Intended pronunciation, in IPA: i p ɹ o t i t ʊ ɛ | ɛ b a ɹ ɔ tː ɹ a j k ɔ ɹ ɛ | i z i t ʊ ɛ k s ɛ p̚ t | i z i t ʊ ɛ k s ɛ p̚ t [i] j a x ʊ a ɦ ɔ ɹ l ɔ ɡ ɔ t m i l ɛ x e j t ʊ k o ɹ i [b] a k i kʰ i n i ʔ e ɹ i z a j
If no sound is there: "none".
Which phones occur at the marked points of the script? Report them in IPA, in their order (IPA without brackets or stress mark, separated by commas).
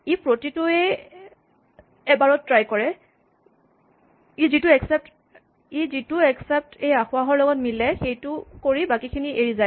e, b